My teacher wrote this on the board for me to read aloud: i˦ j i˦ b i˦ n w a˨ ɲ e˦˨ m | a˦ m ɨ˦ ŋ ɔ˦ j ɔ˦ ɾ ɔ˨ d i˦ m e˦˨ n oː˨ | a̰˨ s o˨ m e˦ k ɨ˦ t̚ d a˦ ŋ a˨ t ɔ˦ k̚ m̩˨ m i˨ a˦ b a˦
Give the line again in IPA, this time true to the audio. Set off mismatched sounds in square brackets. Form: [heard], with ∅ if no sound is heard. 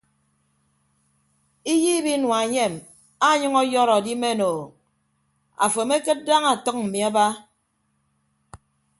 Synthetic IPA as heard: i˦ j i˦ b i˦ n w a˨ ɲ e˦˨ m | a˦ [ɲ] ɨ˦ ŋ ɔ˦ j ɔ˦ ɾ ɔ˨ d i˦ m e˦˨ n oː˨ | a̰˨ [f] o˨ m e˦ k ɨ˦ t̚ d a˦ ŋ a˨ t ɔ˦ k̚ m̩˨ m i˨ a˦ b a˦